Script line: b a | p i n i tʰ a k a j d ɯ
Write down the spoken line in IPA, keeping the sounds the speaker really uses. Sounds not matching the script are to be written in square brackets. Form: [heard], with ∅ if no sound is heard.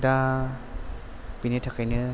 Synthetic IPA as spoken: [d] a | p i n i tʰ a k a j [n] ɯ